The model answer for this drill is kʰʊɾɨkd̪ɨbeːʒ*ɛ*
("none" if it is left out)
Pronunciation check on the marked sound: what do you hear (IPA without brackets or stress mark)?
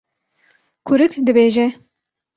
ɛ